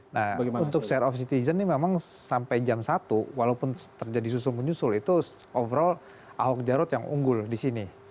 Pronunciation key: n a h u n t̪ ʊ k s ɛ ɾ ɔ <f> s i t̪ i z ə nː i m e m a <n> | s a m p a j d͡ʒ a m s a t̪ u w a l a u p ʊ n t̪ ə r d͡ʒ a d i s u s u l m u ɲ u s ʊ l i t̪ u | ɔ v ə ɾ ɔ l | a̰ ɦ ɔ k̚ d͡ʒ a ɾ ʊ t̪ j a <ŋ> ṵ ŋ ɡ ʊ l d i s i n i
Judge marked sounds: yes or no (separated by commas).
yes, no, yes